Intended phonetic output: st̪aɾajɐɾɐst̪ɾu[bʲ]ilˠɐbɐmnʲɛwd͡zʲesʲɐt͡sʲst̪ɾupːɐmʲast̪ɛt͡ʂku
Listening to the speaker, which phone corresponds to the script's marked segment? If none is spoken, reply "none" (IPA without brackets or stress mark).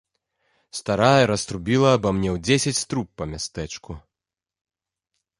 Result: bʲ